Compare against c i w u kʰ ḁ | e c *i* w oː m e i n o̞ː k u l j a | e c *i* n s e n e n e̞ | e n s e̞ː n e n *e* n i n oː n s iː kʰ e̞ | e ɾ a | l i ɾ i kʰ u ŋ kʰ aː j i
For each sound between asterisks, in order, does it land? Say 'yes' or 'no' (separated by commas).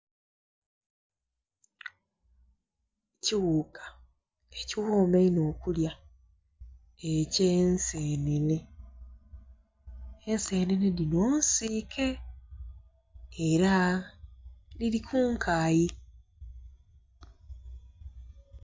yes, no, yes